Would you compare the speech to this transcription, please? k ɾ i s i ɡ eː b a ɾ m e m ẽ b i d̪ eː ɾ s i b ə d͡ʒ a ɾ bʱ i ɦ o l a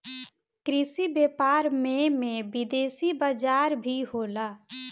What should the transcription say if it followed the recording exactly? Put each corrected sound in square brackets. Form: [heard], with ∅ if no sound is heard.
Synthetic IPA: k ɾ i s i [b] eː [p] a ɾ m e m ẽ b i d̪ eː [∅] s i b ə d͡ʒ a ɾ bʱ i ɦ o l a